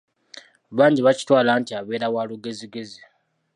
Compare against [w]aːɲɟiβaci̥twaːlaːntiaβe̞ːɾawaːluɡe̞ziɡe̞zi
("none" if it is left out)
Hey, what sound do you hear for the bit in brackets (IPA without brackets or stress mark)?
β